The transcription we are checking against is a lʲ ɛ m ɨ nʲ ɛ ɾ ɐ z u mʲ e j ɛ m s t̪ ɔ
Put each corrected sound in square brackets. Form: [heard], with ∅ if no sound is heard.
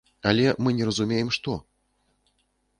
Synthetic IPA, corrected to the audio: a lʲ ɛ m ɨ nʲ ɛ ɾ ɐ z u mʲ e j ɛ m [ʂ] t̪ ɔ